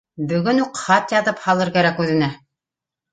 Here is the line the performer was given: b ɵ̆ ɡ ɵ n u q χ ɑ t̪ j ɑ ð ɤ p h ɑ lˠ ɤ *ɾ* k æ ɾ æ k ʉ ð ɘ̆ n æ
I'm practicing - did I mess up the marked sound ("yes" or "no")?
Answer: no